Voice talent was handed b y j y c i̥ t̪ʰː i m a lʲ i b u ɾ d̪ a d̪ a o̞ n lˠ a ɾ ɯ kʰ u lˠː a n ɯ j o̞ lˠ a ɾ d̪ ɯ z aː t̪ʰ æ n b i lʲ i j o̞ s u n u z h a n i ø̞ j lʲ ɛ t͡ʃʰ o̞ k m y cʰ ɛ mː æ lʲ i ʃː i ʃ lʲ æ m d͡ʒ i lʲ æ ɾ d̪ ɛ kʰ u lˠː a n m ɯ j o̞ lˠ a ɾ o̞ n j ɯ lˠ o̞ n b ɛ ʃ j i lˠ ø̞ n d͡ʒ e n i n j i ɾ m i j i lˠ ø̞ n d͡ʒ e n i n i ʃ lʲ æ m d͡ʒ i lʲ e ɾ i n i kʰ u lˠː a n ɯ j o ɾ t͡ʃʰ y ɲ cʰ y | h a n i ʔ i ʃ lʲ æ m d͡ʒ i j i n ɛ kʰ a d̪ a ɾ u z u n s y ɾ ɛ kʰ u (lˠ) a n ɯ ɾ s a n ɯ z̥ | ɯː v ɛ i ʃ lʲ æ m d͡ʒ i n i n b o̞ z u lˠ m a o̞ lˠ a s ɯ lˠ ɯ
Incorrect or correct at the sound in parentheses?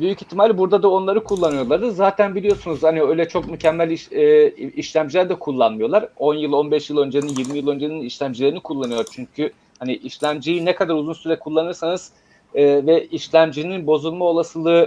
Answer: incorrect: lˠː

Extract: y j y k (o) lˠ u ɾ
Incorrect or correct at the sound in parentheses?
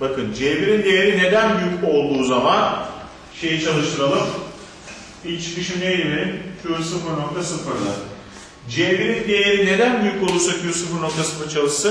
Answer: correct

